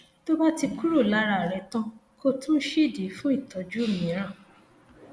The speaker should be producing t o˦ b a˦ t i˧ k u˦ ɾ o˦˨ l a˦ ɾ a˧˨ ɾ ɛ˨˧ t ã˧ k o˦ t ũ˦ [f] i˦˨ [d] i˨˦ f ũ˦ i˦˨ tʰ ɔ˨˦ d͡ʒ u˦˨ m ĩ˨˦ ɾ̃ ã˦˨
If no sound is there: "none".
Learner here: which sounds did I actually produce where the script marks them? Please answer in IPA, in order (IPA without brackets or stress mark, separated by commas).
ʃ, d